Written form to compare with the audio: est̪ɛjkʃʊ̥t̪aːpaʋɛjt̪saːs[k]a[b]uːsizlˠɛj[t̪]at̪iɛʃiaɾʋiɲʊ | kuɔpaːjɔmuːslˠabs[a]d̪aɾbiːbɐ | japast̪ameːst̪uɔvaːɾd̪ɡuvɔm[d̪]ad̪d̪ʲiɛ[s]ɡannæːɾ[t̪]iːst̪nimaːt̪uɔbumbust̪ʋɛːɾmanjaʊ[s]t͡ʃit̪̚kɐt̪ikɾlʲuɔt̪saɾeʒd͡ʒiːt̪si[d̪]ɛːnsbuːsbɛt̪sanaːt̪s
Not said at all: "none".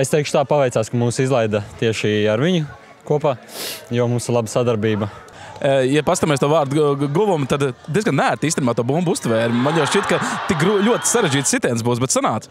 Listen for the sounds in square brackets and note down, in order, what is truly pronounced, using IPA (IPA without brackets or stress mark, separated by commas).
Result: k, m, d̪, a, t̪, z, t̪, ʃ, t̪